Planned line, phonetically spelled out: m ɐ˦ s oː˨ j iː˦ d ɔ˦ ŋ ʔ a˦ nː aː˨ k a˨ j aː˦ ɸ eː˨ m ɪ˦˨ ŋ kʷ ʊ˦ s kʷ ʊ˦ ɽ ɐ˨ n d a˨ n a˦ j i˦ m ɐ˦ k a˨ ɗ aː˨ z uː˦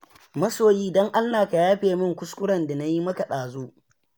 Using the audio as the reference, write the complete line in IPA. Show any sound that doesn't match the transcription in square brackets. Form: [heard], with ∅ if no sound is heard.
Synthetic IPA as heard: m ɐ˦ s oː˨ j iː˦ d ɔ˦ ŋ ʔ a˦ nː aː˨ k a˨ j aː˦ ɸ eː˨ m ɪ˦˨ ŋ kʷ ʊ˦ s kʷ ʊ˦ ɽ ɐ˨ n d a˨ n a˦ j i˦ m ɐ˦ k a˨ ɗ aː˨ z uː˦